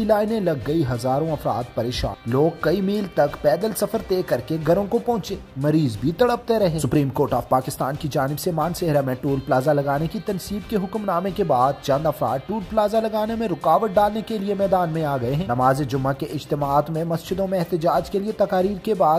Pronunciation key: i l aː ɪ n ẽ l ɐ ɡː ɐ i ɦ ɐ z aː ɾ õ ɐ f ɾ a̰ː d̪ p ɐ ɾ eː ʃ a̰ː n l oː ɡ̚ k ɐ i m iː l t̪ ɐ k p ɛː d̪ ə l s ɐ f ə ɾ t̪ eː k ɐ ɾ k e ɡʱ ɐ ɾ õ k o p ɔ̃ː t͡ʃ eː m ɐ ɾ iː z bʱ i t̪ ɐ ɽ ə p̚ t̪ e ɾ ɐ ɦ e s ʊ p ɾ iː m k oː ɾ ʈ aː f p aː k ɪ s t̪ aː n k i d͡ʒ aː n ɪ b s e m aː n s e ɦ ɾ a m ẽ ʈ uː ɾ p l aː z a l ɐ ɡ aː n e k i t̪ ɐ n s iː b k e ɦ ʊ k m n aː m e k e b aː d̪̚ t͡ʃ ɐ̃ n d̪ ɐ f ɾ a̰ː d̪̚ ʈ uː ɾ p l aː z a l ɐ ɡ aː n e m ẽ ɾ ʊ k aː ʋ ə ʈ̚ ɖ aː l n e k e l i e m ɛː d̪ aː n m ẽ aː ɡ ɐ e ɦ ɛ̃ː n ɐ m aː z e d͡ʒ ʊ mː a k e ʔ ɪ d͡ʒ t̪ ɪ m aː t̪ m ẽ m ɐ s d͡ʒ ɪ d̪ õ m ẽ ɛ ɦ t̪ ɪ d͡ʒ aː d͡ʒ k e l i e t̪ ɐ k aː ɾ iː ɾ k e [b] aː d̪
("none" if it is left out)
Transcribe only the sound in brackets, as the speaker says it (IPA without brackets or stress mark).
b